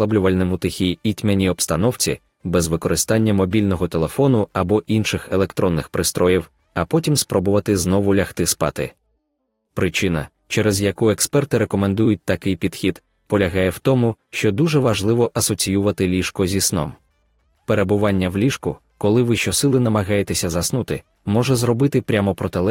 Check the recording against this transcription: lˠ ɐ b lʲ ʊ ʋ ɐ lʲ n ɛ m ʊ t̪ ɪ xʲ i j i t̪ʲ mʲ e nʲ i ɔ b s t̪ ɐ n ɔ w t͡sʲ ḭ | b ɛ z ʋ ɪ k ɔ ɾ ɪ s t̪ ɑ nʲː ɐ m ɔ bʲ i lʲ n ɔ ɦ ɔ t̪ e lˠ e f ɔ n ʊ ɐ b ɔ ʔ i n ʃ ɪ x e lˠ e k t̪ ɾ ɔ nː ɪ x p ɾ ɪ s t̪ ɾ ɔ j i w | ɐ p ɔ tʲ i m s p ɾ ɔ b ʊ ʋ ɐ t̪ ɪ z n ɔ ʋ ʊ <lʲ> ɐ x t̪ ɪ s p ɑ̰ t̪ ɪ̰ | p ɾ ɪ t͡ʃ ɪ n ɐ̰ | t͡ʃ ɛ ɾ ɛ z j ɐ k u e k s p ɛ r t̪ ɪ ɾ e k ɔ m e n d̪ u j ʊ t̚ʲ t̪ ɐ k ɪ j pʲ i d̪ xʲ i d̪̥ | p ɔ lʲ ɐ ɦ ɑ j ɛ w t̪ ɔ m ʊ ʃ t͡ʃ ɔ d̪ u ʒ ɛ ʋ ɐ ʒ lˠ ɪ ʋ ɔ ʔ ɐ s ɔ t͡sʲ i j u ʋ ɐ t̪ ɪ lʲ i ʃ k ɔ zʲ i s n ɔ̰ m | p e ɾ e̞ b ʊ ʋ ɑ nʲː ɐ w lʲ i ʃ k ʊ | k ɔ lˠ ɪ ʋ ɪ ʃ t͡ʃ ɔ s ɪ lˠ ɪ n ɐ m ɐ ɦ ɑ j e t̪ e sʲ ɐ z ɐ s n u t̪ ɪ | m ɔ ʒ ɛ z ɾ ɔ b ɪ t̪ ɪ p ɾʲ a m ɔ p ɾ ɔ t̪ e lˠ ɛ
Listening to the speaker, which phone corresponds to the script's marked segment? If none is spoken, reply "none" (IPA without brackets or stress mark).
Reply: lʲ